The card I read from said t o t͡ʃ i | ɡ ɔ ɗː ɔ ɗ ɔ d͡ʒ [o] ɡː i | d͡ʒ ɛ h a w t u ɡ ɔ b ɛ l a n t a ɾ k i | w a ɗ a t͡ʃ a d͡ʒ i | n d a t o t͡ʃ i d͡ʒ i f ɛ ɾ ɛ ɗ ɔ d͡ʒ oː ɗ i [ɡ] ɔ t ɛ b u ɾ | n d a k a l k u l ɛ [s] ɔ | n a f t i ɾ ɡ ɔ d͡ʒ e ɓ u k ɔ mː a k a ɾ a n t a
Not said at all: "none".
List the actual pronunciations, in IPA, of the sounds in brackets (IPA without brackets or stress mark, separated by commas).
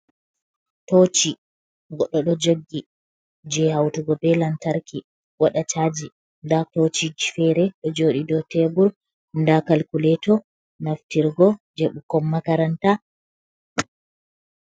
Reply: o, d, t